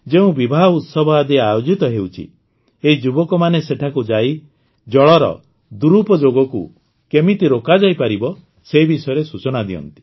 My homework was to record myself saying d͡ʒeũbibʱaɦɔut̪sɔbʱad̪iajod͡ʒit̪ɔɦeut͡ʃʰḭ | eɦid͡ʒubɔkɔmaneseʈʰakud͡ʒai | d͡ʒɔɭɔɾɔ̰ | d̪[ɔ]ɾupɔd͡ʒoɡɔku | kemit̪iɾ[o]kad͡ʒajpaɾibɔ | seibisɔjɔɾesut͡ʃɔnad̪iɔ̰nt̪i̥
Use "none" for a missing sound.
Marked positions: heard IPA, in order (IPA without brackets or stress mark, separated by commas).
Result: u, o